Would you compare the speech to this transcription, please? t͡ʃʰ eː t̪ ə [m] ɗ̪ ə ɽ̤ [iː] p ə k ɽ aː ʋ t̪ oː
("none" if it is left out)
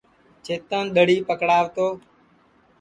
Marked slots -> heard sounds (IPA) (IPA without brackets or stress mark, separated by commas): n, iː